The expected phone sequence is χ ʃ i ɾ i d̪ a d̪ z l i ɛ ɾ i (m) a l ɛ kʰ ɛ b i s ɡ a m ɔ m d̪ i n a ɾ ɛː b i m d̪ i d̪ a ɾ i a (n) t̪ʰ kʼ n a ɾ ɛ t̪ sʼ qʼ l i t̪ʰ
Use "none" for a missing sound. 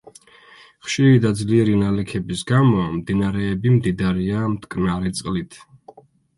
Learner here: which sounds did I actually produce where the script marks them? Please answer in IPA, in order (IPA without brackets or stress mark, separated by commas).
n, m